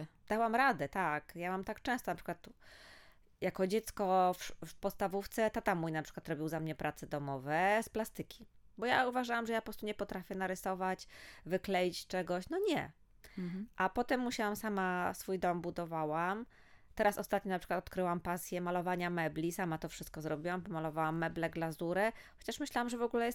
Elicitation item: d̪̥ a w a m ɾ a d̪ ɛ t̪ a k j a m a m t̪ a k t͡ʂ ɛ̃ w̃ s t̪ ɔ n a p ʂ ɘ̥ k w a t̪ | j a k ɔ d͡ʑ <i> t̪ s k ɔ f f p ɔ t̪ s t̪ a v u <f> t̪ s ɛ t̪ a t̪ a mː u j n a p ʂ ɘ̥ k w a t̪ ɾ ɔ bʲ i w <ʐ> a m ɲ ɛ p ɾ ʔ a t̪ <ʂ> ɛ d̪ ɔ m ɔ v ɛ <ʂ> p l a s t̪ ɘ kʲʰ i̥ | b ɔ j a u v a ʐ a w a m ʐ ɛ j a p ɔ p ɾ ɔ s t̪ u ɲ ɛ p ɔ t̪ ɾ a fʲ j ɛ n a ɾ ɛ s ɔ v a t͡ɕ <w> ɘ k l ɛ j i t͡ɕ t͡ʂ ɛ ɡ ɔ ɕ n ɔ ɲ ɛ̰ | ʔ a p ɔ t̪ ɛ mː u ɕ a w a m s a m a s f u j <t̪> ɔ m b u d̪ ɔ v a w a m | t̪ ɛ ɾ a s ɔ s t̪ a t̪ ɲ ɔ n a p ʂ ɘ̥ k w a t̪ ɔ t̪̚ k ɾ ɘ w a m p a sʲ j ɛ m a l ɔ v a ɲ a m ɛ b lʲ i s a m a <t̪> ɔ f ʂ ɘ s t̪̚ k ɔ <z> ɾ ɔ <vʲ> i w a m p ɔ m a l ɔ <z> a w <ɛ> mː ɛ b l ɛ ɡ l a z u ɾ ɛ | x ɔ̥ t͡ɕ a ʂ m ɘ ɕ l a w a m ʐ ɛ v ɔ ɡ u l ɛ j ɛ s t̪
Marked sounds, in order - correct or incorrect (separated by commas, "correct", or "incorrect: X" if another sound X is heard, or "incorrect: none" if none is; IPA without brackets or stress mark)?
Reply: incorrect: ɛ, correct, incorrect: z, incorrect: s, incorrect: s, incorrect: v, incorrect: d̪, correct, correct, incorrect: bʲ, incorrect: v, incorrect: a